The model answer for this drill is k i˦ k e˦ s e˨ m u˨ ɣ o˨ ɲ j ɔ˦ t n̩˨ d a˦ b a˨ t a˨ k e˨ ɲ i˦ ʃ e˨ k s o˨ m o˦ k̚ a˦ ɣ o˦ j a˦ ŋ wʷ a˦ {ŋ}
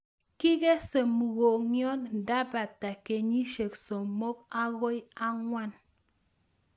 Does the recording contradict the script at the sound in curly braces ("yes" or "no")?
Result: yes